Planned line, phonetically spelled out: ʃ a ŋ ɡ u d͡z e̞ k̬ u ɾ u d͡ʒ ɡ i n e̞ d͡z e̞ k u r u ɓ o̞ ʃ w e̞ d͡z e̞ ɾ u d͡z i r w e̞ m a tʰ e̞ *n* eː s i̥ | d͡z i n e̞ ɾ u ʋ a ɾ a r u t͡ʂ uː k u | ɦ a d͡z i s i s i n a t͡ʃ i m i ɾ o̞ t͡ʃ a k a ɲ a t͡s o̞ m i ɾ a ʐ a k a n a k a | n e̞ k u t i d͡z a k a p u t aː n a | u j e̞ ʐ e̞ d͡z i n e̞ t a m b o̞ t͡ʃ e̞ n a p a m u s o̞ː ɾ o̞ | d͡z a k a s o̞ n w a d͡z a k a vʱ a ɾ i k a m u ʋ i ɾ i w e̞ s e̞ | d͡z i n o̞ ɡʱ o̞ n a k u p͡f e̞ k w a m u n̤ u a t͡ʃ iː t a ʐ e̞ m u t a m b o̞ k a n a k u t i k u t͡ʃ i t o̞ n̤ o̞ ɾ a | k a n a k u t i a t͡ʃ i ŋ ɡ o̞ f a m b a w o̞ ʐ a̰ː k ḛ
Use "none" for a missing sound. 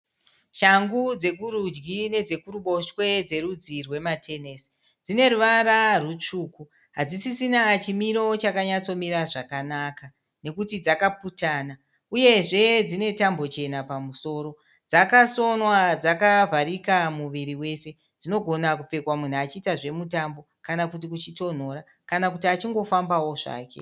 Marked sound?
n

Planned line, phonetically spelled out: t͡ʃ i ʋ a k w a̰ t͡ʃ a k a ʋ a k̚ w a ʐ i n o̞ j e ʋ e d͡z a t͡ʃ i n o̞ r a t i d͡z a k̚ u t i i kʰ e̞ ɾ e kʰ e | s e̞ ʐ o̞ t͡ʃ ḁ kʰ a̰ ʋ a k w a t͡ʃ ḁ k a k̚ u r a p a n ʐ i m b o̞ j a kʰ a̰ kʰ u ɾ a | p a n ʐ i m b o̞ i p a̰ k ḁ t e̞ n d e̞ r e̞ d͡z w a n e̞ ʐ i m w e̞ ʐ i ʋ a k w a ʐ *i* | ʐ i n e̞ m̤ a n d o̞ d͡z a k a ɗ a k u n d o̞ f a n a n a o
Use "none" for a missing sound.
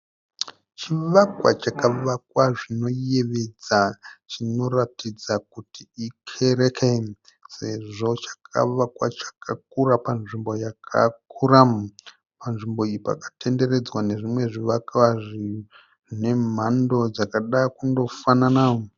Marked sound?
i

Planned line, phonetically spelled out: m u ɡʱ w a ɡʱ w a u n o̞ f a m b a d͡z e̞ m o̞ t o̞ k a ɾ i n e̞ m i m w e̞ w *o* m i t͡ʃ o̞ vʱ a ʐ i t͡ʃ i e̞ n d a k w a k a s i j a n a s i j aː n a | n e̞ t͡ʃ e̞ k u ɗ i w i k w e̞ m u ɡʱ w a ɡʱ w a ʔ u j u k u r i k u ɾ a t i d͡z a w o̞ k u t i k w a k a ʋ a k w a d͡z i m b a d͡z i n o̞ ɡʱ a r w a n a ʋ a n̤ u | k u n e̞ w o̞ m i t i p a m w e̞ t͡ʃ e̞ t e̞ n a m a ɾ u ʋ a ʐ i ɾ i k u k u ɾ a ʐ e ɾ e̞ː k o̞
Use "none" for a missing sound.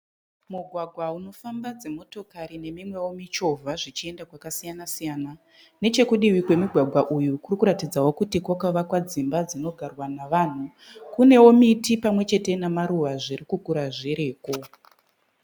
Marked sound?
o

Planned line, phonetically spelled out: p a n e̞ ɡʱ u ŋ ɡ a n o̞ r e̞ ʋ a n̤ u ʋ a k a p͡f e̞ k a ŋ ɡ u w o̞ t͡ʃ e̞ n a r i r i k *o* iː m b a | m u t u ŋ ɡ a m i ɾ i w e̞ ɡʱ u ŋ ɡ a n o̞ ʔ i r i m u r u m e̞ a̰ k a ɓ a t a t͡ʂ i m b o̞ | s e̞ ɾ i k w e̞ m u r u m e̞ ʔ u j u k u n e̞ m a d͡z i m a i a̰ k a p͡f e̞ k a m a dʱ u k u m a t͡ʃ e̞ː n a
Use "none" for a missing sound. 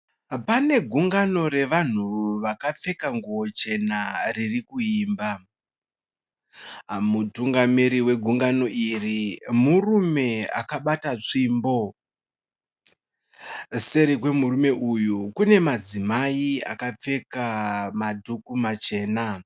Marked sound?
u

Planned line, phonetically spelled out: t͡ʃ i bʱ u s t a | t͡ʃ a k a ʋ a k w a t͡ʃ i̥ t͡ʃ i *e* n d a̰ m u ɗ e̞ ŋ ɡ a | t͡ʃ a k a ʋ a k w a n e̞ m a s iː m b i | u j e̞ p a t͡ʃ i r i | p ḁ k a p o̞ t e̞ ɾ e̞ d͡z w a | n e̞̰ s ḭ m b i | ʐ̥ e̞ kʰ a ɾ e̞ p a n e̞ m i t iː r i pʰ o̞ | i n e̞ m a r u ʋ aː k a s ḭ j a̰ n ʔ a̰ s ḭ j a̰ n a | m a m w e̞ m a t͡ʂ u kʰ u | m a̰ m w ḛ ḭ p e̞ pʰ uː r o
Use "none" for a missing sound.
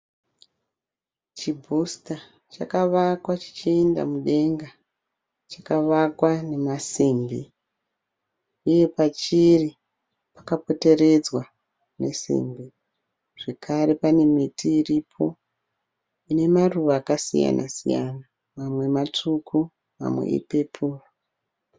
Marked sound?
e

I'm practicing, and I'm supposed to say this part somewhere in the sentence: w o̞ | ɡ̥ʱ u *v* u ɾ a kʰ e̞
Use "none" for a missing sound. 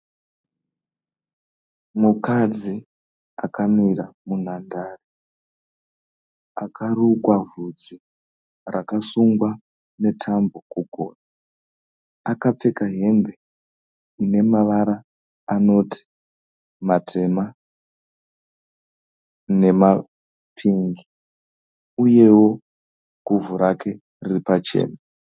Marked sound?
v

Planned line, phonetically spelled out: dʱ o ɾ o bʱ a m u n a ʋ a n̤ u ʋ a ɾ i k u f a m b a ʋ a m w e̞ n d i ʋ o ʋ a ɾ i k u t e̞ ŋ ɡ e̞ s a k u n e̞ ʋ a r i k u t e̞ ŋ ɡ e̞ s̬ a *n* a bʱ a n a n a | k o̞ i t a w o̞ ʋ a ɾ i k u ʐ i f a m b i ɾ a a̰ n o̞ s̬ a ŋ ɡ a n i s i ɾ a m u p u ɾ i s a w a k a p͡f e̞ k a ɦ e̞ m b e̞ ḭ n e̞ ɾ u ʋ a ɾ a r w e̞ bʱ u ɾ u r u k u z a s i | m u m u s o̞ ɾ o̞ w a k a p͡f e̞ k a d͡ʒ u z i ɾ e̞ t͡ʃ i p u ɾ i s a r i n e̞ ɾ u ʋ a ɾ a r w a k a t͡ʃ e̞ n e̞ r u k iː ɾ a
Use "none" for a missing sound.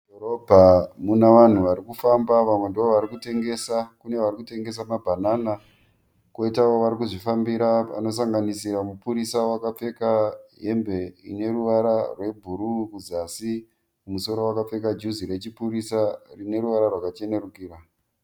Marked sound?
m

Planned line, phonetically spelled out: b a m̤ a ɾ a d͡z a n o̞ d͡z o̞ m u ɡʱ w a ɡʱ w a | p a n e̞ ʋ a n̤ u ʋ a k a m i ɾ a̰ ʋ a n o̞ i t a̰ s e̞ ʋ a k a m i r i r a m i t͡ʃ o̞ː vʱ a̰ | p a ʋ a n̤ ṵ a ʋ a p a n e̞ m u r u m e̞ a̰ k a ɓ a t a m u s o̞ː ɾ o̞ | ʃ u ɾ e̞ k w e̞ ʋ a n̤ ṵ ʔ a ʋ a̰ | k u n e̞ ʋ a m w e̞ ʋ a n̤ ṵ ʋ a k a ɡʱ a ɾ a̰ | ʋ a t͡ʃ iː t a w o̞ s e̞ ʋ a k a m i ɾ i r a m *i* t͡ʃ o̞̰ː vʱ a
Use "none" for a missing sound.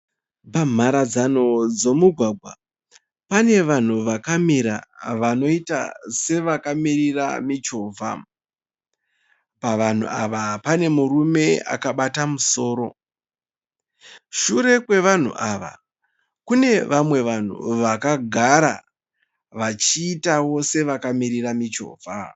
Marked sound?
i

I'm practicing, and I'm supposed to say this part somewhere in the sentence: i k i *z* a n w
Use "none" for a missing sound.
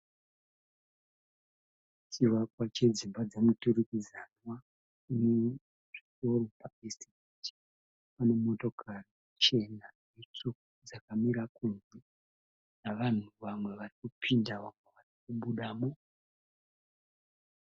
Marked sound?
z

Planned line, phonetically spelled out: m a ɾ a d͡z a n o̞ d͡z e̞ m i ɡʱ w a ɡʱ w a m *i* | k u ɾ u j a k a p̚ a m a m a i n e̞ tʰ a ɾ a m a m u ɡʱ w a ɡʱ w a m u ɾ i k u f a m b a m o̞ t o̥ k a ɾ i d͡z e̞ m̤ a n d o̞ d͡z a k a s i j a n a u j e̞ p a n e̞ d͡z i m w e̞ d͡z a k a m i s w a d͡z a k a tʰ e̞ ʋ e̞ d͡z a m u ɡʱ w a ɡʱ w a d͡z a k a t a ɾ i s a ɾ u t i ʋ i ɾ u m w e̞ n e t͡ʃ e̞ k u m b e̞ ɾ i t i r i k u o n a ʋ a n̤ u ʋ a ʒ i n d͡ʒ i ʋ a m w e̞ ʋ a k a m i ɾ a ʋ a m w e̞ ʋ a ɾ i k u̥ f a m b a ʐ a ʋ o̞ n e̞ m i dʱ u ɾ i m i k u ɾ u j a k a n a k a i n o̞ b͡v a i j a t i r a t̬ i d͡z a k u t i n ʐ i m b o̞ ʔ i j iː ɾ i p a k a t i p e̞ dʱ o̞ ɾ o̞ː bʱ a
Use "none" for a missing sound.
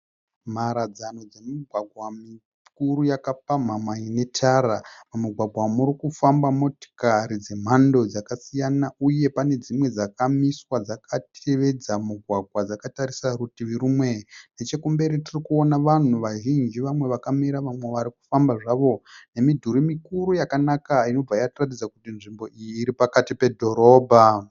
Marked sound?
i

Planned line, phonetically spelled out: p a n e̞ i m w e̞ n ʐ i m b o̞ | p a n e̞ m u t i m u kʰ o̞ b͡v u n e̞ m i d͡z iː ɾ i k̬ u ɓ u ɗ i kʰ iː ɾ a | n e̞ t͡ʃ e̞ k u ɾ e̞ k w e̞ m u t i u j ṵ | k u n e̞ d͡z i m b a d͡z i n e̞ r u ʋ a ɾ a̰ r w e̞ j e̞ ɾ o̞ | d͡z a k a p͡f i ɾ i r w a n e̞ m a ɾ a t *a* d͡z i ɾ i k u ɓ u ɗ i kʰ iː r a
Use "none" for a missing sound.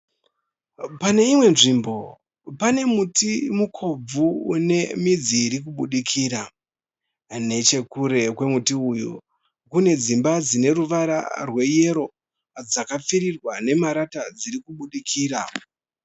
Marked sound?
a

